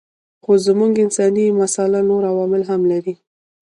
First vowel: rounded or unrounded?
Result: rounded